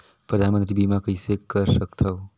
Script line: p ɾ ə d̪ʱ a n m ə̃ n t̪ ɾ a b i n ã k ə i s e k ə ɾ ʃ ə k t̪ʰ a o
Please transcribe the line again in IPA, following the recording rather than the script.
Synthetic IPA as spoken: p ɾ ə d̪ʱ a n m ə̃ n t̪ ɾ i b i m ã k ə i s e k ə ɾ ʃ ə k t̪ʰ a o